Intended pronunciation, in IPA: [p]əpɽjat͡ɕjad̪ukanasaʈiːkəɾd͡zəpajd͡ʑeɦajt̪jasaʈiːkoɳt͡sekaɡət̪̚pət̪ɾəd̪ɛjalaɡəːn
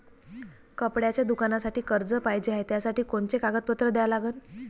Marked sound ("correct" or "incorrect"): incorrect